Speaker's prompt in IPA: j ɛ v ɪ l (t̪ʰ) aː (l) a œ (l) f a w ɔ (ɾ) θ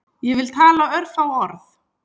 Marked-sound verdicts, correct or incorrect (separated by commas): correct, correct, incorrect, correct